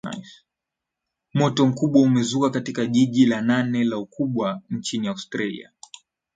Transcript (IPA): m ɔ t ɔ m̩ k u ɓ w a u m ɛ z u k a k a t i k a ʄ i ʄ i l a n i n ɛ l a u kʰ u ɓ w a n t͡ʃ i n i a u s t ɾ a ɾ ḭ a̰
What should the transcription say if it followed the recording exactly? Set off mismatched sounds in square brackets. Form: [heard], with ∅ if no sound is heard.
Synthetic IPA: m ɔ t ɔ m̩ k u ɓ w a u m ɛ z u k a k a t i k a ʄ i ʄ i l a n [a] n ɛ l a u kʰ u ɓ w a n t͡ʃ i n i a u s t ɾ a [l] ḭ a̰